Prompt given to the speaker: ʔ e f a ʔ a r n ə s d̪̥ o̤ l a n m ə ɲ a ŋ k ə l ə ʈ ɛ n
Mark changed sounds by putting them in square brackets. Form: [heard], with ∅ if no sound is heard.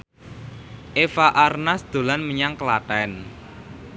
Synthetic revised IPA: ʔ e f a ʔ a r n [a] s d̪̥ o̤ l a n m ə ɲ a ŋ k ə l [a] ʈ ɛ n